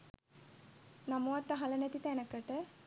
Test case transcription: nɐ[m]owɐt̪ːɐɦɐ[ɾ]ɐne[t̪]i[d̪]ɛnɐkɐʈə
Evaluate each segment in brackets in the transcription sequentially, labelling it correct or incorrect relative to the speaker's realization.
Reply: correct, incorrect, correct, incorrect

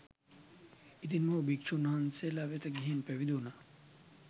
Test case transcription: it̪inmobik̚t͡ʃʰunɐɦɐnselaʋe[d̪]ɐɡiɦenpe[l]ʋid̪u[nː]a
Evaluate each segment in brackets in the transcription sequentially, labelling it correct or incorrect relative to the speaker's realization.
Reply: incorrect, incorrect, incorrect

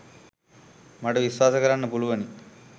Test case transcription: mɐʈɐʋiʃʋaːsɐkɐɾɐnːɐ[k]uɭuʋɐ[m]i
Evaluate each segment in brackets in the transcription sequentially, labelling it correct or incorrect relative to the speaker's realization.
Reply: incorrect, incorrect

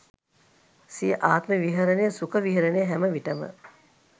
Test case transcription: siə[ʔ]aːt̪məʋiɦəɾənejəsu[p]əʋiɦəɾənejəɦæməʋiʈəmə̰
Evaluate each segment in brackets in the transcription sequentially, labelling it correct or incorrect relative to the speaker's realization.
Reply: correct, incorrect

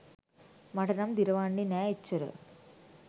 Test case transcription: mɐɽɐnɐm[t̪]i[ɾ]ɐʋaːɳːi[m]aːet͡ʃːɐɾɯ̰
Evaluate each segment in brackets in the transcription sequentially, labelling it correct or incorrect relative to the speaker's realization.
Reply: incorrect, correct, incorrect

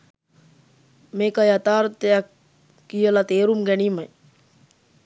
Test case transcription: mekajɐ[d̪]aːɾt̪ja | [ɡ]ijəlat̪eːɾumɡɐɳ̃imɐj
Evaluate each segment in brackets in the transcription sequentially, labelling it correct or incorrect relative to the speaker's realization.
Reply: incorrect, incorrect

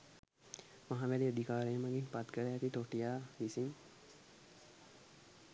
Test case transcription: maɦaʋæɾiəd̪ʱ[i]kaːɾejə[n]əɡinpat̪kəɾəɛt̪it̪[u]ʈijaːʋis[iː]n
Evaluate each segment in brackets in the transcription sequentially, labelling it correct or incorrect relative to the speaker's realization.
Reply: correct, incorrect, incorrect, incorrect

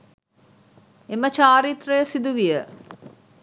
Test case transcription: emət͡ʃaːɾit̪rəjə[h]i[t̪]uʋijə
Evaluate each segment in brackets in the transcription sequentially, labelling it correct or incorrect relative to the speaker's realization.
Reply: incorrect, incorrect

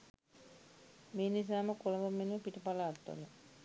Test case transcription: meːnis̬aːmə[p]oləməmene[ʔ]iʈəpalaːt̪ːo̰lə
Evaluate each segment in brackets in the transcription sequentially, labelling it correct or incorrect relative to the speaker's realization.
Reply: incorrect, incorrect

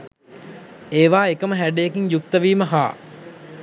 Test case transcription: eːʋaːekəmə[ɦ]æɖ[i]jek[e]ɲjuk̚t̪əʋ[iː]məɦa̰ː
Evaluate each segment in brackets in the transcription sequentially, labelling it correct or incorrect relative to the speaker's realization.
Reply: correct, incorrect, incorrect, correct

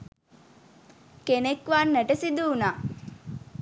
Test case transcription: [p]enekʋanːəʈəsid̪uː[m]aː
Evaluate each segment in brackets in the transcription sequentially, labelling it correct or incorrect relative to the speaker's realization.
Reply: incorrect, incorrect

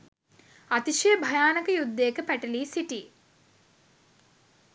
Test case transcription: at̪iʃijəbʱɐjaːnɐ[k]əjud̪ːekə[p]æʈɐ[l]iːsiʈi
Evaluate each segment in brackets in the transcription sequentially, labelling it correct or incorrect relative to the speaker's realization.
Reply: correct, correct, correct

